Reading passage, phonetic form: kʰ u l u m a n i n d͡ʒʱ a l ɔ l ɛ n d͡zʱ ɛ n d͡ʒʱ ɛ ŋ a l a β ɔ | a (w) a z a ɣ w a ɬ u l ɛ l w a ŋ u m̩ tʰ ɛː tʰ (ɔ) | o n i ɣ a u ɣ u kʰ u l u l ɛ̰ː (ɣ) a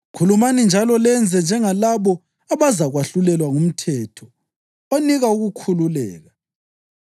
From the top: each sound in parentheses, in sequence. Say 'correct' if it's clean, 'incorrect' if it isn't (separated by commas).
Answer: incorrect, correct, correct